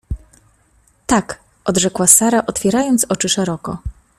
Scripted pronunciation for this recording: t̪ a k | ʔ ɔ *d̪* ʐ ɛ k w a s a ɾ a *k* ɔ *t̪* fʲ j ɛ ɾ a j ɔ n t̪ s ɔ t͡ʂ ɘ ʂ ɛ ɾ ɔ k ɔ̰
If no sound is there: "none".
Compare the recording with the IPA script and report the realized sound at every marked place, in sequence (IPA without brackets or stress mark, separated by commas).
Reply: d̪, ʔ, t̪